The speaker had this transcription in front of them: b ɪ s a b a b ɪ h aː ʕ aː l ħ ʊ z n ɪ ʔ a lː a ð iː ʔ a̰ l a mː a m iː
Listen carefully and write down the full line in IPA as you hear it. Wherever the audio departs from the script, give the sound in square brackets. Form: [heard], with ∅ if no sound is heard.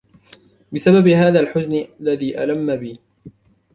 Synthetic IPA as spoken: b ɪ s a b a b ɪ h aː [ð] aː l ħ ʊ z n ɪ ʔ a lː a ð iː ʔ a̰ l a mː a [b] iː